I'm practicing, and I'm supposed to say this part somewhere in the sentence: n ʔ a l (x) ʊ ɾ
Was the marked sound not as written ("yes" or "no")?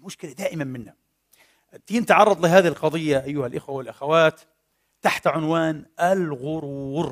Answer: yes